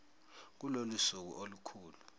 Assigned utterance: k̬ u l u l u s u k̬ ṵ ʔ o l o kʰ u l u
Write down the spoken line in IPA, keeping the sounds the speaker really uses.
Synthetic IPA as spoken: k̬ u l o l u s u k̬ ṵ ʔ o l u kʰ uː l u

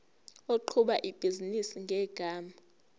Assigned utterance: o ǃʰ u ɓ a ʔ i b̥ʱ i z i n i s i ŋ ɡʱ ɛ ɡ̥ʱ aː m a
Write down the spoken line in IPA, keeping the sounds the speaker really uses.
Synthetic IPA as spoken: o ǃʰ u ɓ a ʔ i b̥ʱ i z i n i s i ŋ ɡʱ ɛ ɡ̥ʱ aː m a

